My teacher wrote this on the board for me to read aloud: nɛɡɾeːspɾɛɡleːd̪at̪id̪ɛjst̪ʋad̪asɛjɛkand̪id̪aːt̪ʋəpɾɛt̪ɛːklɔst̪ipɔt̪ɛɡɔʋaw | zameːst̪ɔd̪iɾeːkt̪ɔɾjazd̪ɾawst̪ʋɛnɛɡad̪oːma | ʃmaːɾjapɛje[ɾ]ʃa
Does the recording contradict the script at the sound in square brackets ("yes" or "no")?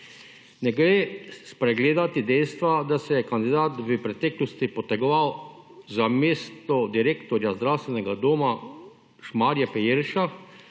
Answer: no